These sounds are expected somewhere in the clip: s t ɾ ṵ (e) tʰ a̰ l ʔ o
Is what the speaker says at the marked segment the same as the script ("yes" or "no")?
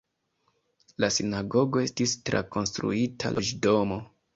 no